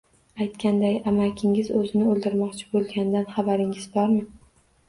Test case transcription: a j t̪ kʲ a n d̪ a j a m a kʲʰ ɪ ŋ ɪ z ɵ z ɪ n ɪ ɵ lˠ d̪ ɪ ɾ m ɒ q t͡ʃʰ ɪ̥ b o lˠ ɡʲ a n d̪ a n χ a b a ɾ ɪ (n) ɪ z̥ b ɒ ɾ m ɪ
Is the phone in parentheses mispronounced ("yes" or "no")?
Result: yes